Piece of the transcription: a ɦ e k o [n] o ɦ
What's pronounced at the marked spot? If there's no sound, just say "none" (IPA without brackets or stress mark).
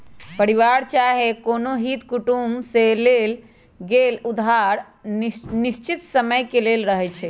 n